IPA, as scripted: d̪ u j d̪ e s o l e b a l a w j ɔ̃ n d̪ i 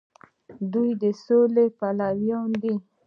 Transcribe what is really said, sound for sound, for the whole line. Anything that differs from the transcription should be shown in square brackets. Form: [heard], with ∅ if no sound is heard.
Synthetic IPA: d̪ u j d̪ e s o l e [p] a l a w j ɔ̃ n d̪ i